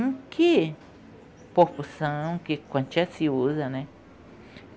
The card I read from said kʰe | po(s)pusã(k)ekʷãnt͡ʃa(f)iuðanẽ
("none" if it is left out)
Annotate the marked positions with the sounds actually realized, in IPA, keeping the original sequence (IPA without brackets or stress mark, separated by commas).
none, k, s